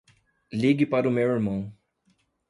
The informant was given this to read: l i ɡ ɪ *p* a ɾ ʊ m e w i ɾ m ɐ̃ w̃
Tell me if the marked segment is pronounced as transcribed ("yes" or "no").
yes